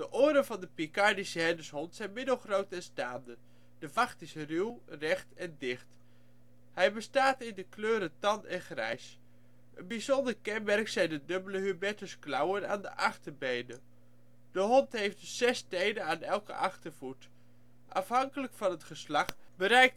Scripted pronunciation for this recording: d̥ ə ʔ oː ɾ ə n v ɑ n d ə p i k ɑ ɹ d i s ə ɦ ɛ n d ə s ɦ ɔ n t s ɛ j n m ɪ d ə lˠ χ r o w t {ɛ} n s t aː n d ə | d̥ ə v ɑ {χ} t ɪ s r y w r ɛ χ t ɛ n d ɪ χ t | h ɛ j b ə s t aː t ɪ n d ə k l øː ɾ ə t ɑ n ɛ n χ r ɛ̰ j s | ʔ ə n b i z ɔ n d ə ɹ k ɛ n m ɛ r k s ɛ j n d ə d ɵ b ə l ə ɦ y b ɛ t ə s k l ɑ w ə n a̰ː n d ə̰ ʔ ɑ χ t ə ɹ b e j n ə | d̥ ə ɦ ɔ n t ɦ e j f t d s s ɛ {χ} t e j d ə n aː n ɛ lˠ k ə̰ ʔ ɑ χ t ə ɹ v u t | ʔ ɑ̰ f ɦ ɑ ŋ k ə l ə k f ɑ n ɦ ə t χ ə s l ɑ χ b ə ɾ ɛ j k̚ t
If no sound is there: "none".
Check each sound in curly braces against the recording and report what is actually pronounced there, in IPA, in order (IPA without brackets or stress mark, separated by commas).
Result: ɛ, χ, s